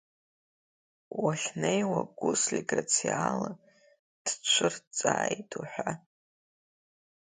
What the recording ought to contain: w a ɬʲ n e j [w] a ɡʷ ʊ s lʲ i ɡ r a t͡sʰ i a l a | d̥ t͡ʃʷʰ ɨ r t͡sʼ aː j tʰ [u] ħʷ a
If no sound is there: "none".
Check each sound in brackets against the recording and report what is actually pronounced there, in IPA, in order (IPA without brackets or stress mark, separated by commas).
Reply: w, u